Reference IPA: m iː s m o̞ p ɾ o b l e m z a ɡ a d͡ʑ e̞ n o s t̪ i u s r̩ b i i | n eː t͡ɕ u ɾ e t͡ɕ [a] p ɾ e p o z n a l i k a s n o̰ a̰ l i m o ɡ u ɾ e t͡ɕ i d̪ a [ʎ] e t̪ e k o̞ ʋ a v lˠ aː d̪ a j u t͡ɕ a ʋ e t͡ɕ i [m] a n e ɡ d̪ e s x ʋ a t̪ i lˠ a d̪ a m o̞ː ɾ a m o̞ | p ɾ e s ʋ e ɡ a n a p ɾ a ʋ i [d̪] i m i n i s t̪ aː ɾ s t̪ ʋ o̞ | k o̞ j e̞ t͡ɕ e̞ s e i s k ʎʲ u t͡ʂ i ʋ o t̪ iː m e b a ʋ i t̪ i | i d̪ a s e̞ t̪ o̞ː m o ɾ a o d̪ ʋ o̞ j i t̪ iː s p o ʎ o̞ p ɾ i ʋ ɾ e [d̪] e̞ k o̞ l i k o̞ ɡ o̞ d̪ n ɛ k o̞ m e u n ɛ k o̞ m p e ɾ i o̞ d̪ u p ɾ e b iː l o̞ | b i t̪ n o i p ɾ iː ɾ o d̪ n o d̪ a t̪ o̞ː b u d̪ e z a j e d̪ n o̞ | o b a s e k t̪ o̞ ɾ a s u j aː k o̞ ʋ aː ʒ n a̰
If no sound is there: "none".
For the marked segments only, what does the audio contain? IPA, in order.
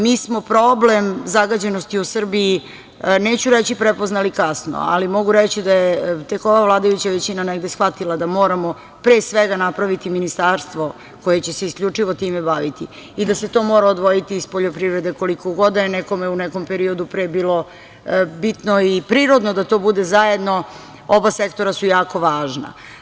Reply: i, j, n, t̪, d̪

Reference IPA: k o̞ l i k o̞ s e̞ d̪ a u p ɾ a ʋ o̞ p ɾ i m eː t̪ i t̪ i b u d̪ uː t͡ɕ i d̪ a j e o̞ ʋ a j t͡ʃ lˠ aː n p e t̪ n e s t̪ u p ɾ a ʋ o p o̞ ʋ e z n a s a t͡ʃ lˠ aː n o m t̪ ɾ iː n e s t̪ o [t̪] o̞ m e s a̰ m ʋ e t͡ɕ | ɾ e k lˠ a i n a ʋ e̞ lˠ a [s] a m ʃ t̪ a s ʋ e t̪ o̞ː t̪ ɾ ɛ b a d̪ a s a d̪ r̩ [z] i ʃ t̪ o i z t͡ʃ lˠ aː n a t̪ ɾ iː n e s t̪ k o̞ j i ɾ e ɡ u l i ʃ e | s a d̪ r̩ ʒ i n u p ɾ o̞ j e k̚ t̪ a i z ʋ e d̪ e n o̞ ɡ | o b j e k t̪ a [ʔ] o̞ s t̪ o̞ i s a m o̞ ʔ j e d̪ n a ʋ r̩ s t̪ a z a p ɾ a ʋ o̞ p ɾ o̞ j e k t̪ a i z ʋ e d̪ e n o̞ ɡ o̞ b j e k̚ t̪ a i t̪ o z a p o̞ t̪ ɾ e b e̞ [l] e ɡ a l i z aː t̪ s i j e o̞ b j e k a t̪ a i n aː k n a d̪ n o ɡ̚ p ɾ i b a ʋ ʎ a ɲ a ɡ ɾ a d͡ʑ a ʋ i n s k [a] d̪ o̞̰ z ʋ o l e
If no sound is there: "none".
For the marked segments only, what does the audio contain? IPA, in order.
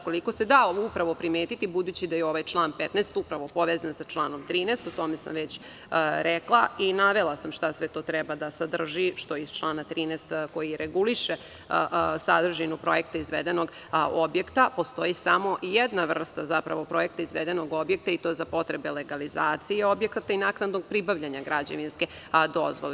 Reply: t̪, s, ʒ, p, l, e

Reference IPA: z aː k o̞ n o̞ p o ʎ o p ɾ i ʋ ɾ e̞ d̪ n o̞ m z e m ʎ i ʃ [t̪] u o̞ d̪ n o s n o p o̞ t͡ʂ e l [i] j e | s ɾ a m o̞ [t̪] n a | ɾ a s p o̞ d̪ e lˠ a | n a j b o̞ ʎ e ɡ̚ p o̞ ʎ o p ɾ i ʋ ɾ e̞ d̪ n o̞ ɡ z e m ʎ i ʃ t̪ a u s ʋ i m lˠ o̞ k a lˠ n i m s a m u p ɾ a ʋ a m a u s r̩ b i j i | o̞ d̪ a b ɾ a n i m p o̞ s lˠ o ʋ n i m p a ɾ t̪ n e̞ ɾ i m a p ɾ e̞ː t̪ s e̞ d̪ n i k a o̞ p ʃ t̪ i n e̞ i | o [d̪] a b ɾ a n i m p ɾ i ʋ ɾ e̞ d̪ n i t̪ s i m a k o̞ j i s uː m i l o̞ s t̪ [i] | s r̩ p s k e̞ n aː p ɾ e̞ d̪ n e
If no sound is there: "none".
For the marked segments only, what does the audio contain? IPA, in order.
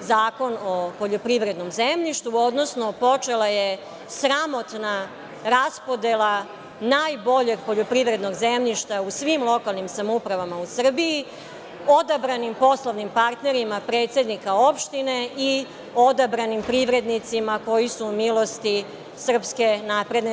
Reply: t̪, a, t̪, d̪, i

